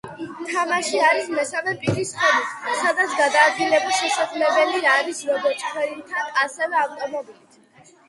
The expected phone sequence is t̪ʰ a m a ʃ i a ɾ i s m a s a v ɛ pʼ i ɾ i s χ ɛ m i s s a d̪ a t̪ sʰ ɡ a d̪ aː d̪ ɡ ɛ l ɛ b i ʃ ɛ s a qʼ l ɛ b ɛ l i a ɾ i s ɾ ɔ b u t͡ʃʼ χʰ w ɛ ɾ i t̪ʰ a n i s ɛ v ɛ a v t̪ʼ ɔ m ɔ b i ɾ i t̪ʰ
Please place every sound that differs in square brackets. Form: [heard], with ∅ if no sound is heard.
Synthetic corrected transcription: t̪ʰ a m a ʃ i a ɾ i s m [ɛ] s a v ɛ pʼ i ɾ i s χ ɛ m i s s a d̪ a t̪ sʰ ɡ a d̪ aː d̪ ɡ [i] l ɛ b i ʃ ɛ s a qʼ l ɛ b ɛ l i a ɾ i s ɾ ɔ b [ɔ] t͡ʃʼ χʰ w ɛ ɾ i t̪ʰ a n [a] s ɛ v ɛ a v t̪ʼ ɔ m ɔ b i [l] i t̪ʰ